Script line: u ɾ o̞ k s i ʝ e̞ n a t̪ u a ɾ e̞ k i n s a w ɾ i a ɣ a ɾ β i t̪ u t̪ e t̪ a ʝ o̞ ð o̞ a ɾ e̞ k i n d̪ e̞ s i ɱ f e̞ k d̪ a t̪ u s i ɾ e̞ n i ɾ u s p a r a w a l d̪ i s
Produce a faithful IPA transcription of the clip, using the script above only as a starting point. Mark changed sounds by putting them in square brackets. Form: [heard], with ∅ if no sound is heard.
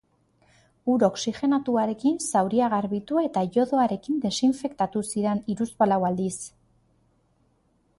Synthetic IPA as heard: u ɾ o̞ k s i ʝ e̞ n a t̪ u a ɾ e̞ k i n s a w ɾ i a ɣ a ɾ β i t̪ u [∅] e t̪ a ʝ o̞ ð o̞ a ɾ e̞ k i n d̪ e̞ s i ɱ f e̞ k [t̪] a t̪ u s i ɾ e̞ n i ɾ u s p a [l] a w a l d̪ i s

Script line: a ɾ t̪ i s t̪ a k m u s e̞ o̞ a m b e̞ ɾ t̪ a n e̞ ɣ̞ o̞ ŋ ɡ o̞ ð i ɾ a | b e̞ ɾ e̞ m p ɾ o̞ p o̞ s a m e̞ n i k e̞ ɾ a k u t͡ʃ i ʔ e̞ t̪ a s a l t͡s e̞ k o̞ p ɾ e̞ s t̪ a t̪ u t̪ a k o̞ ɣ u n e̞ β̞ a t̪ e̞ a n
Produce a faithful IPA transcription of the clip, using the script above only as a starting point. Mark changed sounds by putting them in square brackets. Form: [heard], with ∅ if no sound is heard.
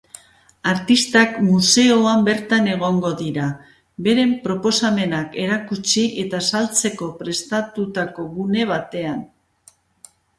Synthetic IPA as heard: a ɾ t̪ i s t̪ a k m u s e̞ o̞ a m b e̞ ɾ t̪ a n e̞ ɣ̞ o̞ ŋ ɡ o̞ ð i ɾ a | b e̞ ɾ e̞ m p ɾ o̞ p o̞ s a m e̞ n [a] k e̞ ɾ a k u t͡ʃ i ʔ e̞ t̪ a s a l t͡s e̞ k o̞ p ɾ e̞ s t̪ a t̪ u t̪ a k o̞ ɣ u n e̞ β̞ a t̪ e̞ a n

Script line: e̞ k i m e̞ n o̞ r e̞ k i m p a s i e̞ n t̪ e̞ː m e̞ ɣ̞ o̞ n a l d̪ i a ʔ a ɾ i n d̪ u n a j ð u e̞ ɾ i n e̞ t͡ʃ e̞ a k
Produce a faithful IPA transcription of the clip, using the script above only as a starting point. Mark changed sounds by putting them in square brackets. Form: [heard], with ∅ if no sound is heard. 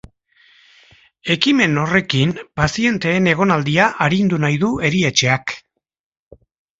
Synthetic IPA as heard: e̞ k i m e̞ n o̞ r e̞ k i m p a s i e̞ n t̪ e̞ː [n] e̞ ɣ̞ o̞ n a l d̪ i a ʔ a ɾ i n d̪ u n a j ð u e̞ ɾ i [∅] e̞ t͡ʃ e̞ a k

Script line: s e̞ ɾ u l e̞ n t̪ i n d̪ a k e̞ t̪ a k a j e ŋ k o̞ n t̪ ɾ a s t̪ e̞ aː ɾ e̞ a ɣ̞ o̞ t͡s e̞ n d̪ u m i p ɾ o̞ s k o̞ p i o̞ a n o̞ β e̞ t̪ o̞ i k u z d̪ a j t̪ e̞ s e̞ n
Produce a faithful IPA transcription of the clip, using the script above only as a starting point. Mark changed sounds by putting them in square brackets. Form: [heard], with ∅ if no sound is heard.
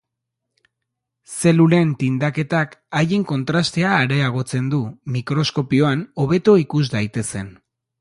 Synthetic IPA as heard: s e̞ [l] u l e̞ n t̪ i n d̪ a k e̞ t̪ a k a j e ŋ k o̞ n t̪ ɾ a s t̪ e̞ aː ɾ e̞ a ɣ̞ o̞ t͡s e̞ n d̪ u m i [k] ɾ o̞ s k o̞ p i o̞ a n o̞ β e̞ t̪ o̞ i k u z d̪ a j t̪ e̞ s e̞ n

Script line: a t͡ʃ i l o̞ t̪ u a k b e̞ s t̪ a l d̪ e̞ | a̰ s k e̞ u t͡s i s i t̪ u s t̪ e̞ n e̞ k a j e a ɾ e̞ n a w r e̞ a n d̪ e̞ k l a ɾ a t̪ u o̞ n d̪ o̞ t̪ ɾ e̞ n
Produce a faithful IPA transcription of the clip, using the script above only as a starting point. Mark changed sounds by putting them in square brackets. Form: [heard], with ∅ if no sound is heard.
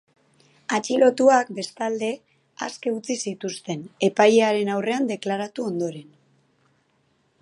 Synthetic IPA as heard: a t͡ʃ i l o̞ t̪ u a k b e̞ s t̪ a l d̪ e̞ | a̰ s k e̞ u t͡s i s i t̪ u s t̪ e̞ n e̞ [p] a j e a ɾ e̞ n a w r e̞ a n d̪ e̞ k l a ɾ a t̪ u o̞ n d̪ o̞ [∅] ɾ e̞ n

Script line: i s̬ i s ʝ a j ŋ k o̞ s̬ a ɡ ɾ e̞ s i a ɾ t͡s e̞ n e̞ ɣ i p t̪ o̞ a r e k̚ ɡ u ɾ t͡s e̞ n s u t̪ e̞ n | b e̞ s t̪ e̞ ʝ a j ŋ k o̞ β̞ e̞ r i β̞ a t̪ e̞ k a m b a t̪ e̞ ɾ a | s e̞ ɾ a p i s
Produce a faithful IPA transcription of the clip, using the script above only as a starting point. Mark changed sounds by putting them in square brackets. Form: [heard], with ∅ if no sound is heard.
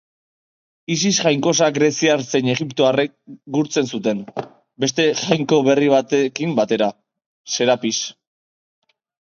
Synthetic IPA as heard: i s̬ i s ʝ a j ŋ k o̞ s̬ a ɡ ɾ e̞ s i a ɾ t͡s e̞ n e̞ ɣ i p t̪ o̞ a r e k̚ ɡ u ɾ t͡s e̞ n s u t̪ e̞ n | b e̞ s t̪ e̞ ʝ a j ŋ k o̞ β̞ e̞ r i β̞ a t̪ e̞ k [i] m b a t̪ e̞ ɾ a | s e̞ ɾ a p i s

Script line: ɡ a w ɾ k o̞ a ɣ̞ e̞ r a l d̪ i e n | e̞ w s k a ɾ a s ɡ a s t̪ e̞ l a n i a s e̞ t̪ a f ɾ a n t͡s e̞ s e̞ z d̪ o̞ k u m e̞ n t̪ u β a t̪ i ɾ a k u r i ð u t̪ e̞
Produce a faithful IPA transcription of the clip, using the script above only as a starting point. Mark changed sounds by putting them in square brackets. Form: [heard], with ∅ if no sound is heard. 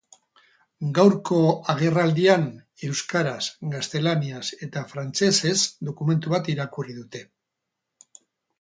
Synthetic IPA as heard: ɡ a w ɾ k o̞ a ɣ̞ e̞ r a l d̪ i [a] n | e̞ w s k a ɾ a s ɡ a s t̪ e̞ l a n i a s e̞ t̪ a f ɾ a n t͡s e̞ s e̞ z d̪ o̞ k u m e̞ n t̪ u β a t̪ i ɾ a k u r i ð u t̪ e̞

